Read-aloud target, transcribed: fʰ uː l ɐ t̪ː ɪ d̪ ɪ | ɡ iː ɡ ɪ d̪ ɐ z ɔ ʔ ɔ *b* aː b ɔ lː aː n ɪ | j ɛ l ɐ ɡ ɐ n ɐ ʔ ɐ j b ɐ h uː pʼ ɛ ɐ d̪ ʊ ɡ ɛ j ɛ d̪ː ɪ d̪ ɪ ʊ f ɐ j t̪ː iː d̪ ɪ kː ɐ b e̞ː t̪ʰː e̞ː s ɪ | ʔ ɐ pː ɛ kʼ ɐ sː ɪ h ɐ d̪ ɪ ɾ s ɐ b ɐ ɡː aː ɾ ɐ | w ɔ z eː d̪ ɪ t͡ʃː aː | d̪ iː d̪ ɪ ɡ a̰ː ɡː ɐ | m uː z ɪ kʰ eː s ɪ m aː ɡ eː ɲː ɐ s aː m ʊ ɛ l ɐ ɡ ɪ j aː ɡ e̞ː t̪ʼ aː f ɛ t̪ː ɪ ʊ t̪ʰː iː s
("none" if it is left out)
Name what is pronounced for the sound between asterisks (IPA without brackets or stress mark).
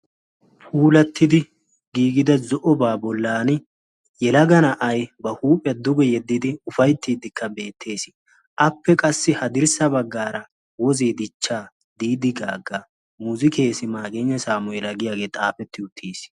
b